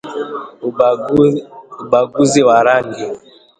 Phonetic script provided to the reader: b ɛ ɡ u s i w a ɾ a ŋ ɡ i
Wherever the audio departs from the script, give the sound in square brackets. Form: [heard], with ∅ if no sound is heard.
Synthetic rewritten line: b [a] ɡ u [z] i w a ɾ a ŋ ɡ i